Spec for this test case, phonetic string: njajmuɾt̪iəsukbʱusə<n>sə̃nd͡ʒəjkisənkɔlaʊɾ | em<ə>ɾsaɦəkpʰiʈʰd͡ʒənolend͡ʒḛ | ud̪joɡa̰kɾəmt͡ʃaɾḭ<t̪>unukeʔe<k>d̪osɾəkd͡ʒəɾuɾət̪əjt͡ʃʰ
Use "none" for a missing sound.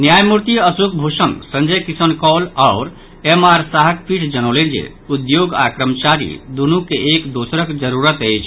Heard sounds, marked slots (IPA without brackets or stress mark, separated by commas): n, a, d̪, k